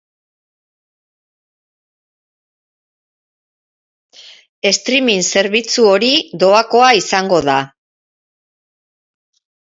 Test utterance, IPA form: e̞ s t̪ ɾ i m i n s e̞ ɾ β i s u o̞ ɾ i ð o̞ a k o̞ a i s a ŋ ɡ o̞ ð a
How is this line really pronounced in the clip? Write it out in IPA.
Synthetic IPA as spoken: e̞ s t̪ ɾ i m i n s e̞ ɾ β i t͡s u o̞ ɾ i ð o̞ a k o̞ a i s a ŋ ɡ o̞ ð a